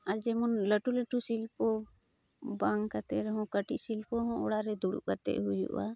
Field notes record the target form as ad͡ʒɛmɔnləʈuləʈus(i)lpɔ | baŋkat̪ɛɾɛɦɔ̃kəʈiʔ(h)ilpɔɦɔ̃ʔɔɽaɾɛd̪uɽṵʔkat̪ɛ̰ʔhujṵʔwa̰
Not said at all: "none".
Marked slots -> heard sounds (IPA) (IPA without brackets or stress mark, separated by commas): i, s